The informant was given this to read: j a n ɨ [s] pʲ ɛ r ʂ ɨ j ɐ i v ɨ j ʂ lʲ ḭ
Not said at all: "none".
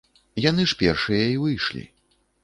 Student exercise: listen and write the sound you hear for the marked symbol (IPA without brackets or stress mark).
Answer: ʂ